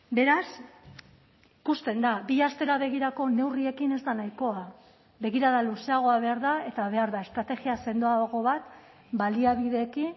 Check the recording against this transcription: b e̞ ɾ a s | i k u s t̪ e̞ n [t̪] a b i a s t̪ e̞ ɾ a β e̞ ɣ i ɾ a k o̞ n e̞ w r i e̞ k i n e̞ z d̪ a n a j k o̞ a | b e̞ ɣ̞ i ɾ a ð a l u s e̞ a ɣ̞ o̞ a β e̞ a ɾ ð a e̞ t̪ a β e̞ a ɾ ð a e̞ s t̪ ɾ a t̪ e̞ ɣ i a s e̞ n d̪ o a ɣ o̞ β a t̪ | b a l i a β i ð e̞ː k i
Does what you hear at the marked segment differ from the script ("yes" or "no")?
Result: yes